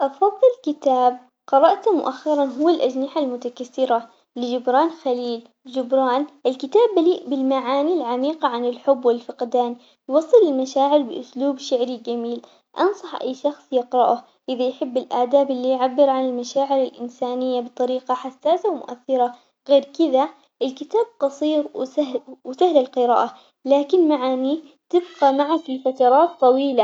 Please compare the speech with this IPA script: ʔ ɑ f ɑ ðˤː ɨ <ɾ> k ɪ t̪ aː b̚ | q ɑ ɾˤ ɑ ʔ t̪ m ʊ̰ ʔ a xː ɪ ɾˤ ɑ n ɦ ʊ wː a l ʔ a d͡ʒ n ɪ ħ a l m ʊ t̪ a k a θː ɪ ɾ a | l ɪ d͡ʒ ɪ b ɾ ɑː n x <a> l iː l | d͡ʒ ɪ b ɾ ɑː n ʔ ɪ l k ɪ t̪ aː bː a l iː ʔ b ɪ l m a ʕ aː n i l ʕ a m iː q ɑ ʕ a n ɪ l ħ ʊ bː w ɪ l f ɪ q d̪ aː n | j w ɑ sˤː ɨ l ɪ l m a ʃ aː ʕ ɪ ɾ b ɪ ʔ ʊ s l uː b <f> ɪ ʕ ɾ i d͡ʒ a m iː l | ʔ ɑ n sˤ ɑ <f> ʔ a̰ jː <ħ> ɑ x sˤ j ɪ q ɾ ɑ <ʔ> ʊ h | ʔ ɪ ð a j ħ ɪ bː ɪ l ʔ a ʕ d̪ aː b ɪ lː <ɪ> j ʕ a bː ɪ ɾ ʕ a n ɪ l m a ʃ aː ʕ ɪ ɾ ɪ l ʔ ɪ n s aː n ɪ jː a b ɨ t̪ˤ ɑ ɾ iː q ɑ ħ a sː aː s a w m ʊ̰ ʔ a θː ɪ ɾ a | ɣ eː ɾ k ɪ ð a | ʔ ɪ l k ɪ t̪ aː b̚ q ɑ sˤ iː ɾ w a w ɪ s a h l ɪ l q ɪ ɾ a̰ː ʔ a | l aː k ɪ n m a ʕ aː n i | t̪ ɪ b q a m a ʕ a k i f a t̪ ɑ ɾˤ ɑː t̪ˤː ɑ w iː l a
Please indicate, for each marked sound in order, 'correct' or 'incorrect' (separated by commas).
incorrect, correct, incorrect, incorrect, incorrect, correct, incorrect